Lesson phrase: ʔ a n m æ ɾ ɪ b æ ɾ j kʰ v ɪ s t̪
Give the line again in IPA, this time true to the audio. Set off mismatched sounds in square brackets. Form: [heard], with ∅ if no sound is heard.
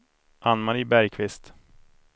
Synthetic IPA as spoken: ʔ a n m [a] ɾ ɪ b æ ɾ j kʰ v ɪ s t̪